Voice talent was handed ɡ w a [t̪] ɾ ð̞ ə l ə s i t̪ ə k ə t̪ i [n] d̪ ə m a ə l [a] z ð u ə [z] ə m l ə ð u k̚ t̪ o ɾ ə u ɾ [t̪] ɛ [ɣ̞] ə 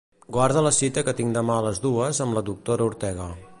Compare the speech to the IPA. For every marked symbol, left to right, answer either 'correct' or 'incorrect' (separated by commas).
incorrect, incorrect, incorrect, correct, correct, correct